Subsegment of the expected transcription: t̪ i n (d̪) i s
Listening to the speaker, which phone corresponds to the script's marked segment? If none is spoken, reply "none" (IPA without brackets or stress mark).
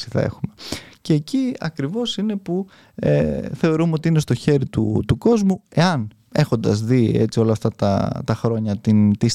t̪